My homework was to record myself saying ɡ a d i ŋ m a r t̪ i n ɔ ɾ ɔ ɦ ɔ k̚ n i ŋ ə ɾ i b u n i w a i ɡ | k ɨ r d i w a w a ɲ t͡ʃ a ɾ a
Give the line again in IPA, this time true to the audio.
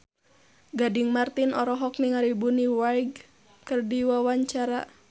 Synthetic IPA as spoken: ɡ a d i ŋ m a r t̪ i n ɔ ɾ ɔ ɦ ɔ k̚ n i ŋ a ɾ i b u n i w a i ɡ | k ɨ r d i w a w a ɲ t͡ʃ a ɾ a